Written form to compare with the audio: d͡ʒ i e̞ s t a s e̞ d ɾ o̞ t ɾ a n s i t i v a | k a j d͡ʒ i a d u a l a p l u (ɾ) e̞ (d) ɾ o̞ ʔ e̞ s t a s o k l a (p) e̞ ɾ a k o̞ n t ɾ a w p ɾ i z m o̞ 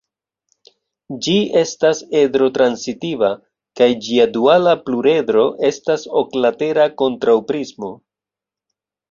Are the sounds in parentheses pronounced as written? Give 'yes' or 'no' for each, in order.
yes, yes, no

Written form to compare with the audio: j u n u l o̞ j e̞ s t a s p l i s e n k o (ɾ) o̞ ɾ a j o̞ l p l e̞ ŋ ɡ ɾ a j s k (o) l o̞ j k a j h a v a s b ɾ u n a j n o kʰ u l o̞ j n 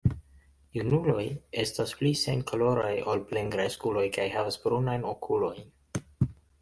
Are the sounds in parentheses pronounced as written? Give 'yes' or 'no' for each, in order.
no, no

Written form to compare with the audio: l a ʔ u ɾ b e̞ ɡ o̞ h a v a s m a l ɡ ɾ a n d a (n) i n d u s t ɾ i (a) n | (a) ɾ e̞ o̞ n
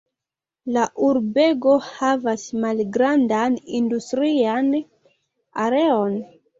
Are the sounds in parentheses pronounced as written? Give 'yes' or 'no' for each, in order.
yes, yes, yes

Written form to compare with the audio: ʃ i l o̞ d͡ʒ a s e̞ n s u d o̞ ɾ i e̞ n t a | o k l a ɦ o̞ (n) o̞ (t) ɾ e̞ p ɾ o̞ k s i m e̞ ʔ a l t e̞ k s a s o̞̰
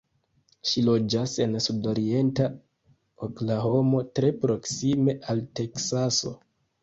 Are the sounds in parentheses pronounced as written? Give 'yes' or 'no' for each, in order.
no, yes

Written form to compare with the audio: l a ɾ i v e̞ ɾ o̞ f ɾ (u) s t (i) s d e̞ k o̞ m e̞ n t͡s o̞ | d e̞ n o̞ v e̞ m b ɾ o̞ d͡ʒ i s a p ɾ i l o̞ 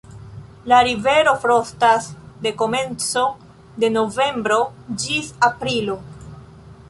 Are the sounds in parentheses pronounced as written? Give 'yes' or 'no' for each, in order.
no, no

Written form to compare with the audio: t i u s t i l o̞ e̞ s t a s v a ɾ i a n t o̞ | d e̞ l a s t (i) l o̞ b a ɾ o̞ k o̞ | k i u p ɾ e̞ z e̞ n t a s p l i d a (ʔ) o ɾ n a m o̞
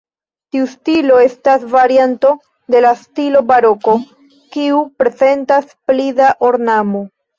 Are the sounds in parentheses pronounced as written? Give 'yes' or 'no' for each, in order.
yes, yes

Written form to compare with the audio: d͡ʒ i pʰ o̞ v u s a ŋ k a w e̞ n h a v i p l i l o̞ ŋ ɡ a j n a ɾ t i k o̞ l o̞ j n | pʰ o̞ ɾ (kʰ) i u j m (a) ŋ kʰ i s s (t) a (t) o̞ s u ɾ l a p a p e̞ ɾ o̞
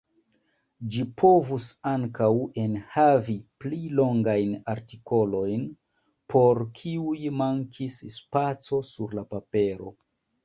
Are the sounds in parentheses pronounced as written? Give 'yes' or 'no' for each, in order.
yes, yes, no, no

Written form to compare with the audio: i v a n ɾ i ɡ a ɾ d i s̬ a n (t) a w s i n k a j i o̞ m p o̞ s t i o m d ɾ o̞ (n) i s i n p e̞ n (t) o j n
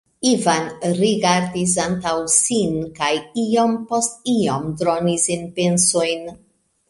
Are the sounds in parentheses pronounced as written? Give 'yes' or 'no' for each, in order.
yes, yes, no

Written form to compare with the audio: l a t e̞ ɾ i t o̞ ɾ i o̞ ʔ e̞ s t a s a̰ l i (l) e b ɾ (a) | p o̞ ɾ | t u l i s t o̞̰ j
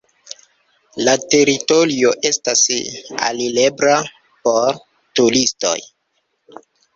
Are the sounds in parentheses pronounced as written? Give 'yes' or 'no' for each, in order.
yes, yes

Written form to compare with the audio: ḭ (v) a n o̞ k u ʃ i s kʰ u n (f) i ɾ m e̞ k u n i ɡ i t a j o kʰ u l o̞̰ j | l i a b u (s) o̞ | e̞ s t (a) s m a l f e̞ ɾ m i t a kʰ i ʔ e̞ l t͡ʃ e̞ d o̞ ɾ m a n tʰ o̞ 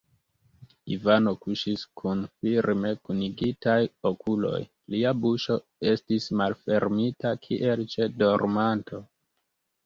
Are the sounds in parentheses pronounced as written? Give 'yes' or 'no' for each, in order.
yes, yes, no, no

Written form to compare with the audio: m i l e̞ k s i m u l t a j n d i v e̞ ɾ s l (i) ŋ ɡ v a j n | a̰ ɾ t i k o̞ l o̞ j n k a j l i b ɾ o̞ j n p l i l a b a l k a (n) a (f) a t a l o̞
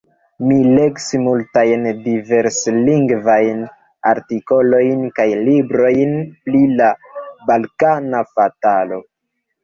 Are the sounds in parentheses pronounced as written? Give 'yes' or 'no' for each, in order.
yes, yes, yes

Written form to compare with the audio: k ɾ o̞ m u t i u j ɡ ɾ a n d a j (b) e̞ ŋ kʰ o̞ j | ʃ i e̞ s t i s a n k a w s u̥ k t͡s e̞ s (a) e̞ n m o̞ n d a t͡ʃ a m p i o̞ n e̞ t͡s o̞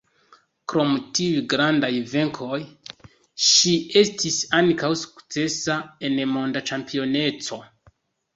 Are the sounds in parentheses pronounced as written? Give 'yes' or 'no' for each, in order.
no, yes

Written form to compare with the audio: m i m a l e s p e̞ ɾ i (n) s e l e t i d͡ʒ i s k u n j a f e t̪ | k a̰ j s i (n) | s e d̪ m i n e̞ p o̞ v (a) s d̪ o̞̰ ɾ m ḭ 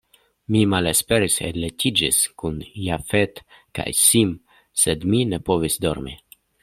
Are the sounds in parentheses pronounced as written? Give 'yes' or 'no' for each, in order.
no, no, no

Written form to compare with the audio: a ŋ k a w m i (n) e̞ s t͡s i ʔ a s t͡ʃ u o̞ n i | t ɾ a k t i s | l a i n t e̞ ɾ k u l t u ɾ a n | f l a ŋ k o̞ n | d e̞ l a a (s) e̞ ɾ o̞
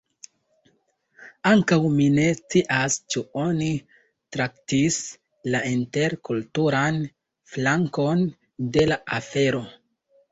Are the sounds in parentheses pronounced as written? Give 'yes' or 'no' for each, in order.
yes, no

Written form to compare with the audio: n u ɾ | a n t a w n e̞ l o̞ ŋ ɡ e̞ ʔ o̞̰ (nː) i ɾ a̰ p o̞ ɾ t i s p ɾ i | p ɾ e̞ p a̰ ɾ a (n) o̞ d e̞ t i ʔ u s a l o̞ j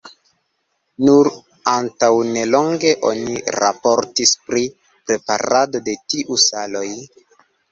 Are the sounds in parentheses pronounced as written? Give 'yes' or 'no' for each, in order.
no, no

